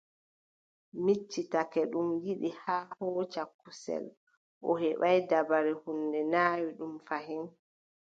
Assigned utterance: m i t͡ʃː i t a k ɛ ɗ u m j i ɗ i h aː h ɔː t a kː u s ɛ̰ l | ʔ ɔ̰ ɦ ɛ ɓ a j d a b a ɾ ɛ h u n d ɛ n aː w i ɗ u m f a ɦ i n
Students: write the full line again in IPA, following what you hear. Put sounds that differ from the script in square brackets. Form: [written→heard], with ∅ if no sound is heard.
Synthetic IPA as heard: m i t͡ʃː i t a k ɛ ɗ u m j i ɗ i h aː h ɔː [t→t͡ʃ] a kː u s ɛ̰ l | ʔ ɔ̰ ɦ ɛ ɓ a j d a b a ɾ ɛ h u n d ɛ n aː w i ɗ u m f a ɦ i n